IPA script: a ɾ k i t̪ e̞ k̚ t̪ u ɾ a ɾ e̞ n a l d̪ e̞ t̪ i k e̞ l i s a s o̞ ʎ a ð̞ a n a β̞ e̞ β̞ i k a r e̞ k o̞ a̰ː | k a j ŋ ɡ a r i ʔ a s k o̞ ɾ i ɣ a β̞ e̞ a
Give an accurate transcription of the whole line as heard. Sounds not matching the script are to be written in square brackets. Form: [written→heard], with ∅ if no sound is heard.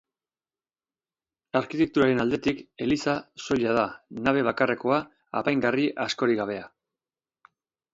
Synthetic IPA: a ɾ k i t̪ e̞ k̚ t̪ u ɾ a ɾ e̞ n a l d̪ e̞ t̪ i k e̞ l i s a s o̞ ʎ a ð̞ a n a β̞ e̞ β̞ [i→a] k a r e̞ k o̞ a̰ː | [k→p] a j ŋ ɡ a r i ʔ a s k o̞ ɾ i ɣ a β̞ e̞ a